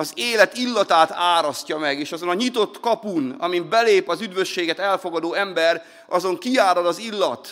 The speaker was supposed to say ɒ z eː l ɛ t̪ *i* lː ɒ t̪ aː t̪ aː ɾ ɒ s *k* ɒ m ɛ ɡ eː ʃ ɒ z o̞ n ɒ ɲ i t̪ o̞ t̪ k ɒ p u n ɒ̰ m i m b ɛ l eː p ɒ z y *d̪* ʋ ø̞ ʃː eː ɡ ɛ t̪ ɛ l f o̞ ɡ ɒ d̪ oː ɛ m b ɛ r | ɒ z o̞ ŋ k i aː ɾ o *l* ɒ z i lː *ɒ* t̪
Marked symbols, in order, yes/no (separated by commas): yes, no, yes, yes, yes